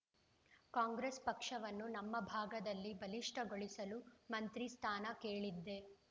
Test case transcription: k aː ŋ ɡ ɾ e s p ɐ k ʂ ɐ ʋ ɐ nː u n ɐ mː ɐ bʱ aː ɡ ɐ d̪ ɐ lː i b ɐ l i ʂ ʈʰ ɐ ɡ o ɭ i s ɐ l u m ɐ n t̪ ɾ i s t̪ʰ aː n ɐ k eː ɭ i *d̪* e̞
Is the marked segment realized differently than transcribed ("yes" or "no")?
yes